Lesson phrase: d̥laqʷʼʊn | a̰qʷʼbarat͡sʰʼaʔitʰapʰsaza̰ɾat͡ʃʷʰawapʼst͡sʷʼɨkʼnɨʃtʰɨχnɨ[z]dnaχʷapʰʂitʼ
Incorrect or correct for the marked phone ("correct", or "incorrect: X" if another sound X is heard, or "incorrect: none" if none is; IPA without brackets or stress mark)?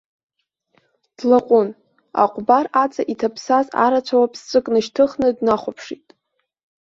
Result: incorrect: none